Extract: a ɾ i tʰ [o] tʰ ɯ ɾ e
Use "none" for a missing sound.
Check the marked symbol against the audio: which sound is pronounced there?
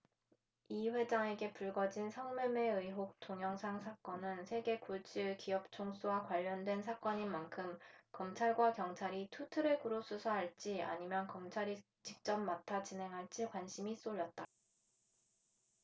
u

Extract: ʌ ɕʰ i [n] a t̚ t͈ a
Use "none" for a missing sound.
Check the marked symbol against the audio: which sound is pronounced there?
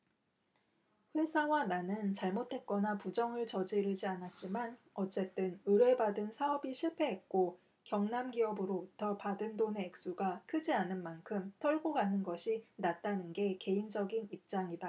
n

